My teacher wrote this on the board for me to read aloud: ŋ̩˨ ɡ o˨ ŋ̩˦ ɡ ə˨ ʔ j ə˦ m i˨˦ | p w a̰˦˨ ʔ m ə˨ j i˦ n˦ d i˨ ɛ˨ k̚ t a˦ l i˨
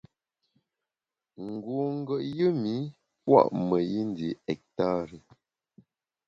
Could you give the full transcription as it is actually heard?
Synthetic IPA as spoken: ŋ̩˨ ɡ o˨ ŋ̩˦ ɡ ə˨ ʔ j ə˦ m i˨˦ | p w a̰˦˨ ʔ m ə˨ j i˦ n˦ d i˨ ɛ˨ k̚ t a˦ ɾ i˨